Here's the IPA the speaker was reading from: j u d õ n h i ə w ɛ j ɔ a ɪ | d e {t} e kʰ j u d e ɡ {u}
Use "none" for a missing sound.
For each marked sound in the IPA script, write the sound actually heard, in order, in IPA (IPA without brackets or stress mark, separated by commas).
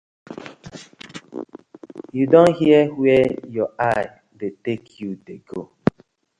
t, o